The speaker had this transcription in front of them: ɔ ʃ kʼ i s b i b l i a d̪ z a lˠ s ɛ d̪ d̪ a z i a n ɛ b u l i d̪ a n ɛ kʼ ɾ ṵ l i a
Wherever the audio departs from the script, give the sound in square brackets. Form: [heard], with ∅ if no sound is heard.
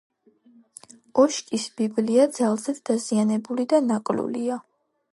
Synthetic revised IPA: ɔ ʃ kʼ i s b i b l i a d̪ z a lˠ [z] ɛ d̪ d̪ a z i a n ɛ b u l i d̪ a n [a] kʼ [l] ṵ l i a